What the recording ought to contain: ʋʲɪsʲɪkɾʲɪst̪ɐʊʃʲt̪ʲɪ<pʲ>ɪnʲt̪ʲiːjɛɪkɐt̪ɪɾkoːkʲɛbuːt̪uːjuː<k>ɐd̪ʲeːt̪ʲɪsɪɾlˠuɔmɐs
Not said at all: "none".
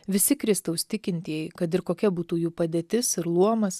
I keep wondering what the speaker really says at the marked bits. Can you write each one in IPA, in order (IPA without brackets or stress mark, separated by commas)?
kʲ, p